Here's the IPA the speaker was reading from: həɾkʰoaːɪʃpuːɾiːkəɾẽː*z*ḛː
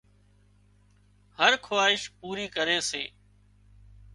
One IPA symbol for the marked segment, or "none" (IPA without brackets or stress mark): s